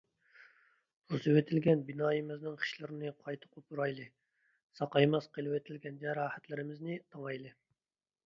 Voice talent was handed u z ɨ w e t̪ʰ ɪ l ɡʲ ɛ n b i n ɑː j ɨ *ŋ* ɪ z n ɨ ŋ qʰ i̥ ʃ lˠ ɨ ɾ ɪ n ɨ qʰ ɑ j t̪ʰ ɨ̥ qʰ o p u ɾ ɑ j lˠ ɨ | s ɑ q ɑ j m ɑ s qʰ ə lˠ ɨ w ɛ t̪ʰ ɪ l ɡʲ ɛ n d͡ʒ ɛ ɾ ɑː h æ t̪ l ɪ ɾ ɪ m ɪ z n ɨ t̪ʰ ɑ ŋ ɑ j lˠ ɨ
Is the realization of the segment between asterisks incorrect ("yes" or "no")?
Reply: yes